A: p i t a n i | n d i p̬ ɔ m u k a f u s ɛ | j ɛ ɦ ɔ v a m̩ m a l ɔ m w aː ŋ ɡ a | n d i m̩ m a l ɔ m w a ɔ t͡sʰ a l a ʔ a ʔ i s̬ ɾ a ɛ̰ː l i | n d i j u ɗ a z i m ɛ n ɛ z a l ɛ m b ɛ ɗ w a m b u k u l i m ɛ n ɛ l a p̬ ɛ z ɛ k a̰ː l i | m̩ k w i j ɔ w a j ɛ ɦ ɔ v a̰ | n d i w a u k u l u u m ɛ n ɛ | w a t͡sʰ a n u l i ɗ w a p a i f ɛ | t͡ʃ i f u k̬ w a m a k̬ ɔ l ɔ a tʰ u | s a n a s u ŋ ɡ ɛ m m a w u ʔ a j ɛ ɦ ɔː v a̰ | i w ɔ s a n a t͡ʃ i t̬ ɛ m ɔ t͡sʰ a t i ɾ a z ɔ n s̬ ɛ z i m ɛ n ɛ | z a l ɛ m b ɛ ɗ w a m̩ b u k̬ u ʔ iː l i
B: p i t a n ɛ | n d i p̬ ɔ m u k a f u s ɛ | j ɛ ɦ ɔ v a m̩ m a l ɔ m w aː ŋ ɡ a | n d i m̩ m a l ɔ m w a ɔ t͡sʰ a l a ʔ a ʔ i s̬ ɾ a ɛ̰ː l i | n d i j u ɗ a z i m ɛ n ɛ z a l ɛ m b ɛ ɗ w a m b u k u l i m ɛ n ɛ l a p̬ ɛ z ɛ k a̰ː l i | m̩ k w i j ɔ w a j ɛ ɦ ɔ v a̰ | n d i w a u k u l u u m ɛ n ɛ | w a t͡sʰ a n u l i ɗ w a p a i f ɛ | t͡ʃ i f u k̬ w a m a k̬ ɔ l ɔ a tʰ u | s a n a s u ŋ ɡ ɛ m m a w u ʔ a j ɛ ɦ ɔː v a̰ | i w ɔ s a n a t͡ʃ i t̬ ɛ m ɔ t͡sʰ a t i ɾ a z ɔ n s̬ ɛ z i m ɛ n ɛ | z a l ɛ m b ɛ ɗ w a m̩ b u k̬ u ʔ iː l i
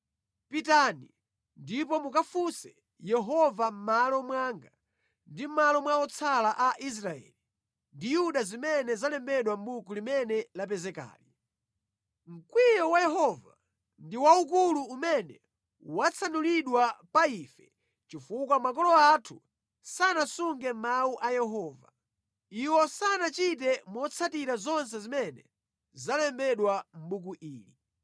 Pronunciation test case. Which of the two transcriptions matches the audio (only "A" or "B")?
A